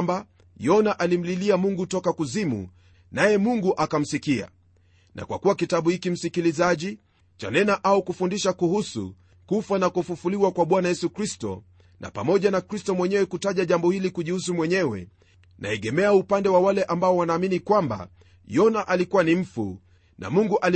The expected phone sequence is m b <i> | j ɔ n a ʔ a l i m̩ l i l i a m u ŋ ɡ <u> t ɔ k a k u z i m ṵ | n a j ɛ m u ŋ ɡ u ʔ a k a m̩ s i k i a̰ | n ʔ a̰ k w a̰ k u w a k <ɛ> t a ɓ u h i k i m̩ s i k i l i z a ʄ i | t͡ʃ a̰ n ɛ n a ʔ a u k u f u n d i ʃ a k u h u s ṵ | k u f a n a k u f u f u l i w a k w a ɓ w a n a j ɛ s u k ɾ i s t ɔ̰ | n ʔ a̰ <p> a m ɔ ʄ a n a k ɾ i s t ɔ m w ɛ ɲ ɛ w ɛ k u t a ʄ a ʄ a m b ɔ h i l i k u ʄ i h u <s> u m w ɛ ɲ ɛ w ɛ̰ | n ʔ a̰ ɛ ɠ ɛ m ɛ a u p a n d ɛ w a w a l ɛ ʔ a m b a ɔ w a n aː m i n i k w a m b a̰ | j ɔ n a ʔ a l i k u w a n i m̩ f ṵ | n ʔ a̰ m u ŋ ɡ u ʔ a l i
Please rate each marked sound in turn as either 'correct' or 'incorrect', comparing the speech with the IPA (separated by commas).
incorrect, correct, incorrect, correct, correct